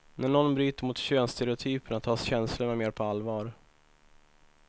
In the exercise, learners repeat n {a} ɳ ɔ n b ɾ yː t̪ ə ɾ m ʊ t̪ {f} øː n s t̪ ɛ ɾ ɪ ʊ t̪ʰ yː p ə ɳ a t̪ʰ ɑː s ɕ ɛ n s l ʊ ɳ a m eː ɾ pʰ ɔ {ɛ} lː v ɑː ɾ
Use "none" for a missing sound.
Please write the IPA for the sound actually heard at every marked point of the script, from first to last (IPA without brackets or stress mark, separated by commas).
æ, ɕ, a